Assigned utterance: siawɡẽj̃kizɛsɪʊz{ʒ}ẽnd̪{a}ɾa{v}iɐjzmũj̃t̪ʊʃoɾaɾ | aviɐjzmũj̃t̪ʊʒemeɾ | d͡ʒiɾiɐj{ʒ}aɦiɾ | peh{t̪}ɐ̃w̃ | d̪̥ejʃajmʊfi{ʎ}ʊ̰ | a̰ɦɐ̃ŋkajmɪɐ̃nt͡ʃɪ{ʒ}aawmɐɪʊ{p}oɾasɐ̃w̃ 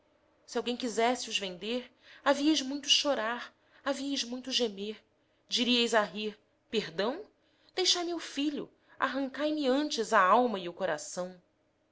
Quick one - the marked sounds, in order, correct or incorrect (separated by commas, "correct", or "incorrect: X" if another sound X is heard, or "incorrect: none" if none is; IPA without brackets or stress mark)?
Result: incorrect: v, incorrect: e, correct, incorrect: z, incorrect: d̪, correct, incorrect: z, incorrect: k